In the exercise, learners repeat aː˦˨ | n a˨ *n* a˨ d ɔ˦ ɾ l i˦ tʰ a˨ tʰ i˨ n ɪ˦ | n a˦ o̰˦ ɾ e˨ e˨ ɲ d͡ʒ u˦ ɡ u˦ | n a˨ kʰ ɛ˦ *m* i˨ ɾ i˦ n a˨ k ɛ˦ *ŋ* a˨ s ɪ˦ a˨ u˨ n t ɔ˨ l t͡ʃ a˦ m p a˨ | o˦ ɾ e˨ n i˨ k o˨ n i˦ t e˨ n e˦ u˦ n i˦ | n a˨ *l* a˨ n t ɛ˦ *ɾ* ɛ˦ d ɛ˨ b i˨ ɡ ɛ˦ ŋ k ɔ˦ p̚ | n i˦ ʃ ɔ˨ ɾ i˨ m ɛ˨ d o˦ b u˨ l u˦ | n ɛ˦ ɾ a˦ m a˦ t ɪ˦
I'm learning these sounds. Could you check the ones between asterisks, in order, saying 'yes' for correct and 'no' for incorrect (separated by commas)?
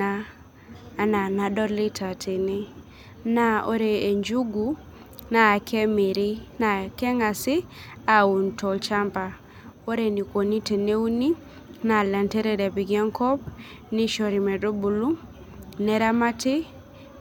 yes, yes, yes, yes, yes